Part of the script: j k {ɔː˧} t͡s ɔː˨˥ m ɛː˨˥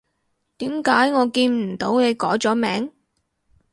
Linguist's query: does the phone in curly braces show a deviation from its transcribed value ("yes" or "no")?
yes